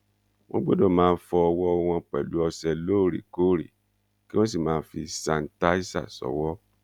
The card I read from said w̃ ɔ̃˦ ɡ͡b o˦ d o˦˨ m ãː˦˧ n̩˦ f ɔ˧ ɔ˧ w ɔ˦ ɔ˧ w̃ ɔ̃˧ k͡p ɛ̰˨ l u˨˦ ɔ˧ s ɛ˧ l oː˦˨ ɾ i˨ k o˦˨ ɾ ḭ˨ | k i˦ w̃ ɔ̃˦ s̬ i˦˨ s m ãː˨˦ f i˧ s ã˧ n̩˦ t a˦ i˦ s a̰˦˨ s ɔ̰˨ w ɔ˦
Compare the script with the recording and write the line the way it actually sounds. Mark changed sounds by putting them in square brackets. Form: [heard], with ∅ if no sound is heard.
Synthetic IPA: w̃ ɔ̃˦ ɡ͡b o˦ d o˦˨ m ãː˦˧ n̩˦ f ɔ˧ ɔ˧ w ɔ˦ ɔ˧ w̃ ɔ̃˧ k͡p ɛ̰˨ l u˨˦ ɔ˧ s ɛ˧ l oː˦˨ ɾ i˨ k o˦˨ ɾ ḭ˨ | k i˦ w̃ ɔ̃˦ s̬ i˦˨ [∅] m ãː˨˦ f i˧ s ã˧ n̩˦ t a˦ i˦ s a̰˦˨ s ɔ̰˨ w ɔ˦